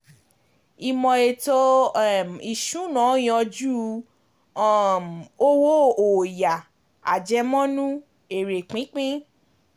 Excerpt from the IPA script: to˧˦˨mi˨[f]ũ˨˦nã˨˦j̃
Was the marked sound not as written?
yes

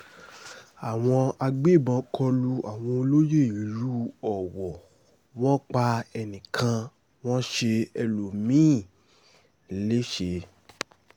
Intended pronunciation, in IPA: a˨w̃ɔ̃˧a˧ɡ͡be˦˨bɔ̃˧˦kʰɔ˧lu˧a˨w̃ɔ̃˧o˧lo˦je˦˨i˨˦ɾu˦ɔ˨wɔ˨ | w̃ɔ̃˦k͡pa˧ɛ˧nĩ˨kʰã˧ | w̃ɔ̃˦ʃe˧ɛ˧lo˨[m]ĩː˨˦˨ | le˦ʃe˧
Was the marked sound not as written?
no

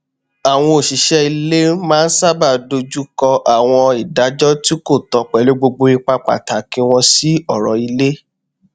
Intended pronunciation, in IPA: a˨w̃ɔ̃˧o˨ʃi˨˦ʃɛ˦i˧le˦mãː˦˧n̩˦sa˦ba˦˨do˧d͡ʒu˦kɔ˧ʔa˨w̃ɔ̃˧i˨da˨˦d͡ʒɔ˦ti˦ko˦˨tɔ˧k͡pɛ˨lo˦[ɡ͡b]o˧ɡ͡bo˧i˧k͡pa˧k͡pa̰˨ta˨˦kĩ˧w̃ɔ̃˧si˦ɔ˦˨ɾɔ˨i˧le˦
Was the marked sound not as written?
no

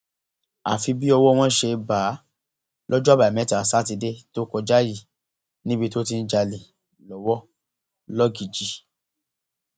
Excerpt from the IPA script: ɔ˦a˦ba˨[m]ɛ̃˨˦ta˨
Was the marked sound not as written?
no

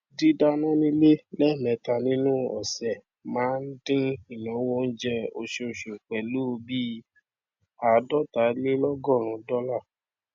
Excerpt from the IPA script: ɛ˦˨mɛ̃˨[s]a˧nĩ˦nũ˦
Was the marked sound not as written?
yes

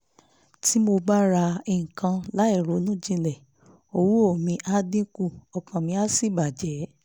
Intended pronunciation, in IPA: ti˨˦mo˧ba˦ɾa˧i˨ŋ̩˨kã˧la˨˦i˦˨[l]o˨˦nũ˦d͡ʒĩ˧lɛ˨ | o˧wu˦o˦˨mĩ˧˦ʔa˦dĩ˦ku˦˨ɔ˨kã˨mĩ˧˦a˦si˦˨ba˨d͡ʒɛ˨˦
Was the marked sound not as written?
yes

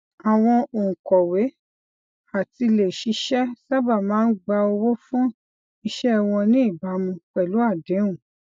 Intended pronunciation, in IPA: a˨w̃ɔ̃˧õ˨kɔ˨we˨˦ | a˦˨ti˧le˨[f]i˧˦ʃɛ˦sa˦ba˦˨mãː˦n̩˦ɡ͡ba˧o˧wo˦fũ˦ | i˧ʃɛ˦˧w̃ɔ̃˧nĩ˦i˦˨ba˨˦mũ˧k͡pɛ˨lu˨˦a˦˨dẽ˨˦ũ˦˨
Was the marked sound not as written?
yes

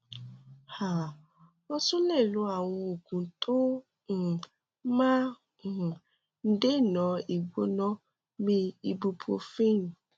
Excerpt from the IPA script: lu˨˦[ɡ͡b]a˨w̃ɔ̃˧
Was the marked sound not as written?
yes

